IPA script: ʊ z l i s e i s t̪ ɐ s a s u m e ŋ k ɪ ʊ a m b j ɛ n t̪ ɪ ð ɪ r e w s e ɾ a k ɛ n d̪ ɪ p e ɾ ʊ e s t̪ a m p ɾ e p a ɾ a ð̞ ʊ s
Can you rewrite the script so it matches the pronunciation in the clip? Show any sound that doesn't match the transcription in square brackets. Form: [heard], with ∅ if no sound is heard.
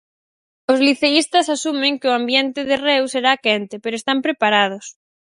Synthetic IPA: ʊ z l i [θ] e i s t̪ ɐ s a s u m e ŋ k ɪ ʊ a m b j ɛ n t̪ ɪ ð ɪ r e w s e ɾ a k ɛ n [t̪] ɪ p e ɾ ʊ e s t̪ a m p ɾ e p a ɾ a ð̞ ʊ s

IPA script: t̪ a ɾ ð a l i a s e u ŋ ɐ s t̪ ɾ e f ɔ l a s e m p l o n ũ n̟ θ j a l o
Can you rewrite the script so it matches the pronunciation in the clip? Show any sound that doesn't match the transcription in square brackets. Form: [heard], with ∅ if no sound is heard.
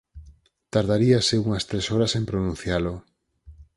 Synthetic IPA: t̪ a ɾ ð a [ɾ] i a s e u ŋ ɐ s t̪ ɾ e [s] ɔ [ɾ] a s e m p [ɾ] o n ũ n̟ θ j a l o

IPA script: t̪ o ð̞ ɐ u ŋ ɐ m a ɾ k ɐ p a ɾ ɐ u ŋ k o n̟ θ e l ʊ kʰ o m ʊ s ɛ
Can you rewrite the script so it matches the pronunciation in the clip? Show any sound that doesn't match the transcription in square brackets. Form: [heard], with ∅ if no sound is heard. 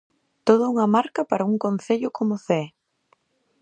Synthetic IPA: t̪ o ð̞ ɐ u ŋ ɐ m a ɾ k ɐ p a ɾ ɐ u ŋ k o n̟ θ e [ʎ] ʊ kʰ o m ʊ [θ] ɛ

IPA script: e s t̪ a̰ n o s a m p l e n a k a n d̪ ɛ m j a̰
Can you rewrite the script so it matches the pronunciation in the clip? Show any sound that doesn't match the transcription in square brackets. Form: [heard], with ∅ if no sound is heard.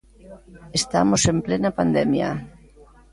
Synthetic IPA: e s t̪ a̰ [m] o s [e] m p l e n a [p] a n d̪ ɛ m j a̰

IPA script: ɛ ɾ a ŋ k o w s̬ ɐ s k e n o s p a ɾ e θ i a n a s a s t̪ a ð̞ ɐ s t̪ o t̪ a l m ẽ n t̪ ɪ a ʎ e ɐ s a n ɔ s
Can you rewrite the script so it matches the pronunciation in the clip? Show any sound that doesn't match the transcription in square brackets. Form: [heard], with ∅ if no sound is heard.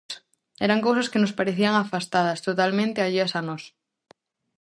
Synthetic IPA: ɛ ɾ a ŋ k o w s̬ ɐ s k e n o s p a ɾ e θ i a [ŋ] a [f] a s t̪ a ð̞ ɐ s t̪ o t̪ a l m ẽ n t̪ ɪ a ʎ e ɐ s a n ɔ s

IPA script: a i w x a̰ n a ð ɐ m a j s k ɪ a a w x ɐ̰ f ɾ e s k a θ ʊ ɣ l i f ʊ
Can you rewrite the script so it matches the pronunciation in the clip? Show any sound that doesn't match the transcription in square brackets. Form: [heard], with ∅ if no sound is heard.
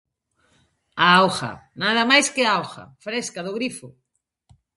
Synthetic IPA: a [a] w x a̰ n a ð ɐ m a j s k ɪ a a w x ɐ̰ f ɾ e s k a [ð] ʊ ɣ [ɾ] i f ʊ

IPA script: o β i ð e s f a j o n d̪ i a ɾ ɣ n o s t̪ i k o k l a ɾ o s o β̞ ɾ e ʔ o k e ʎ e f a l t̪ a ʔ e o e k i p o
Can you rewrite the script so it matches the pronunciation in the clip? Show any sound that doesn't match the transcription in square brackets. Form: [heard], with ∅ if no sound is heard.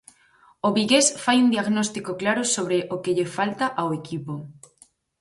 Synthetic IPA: o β i [ɣ] e s f a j [u] n d̪ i a [∅] ɣ n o s t̪ i k o k l a ɾ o s o β̞ ɾ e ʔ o k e ʎ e f a l t̪ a ʔ [a] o e k i p o

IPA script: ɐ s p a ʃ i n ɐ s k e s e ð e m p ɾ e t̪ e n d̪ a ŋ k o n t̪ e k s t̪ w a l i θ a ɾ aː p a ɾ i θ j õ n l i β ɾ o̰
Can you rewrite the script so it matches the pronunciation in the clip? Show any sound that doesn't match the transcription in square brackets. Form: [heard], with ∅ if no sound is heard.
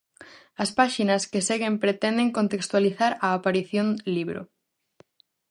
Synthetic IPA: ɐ s p a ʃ i n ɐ s k e s e [ɣ] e m p ɾ e t̪ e n d̪ [e] ŋ k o n t̪ e k s t̪ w a l i θ a ɾ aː p a ɾ i θ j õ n l i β ɾ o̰

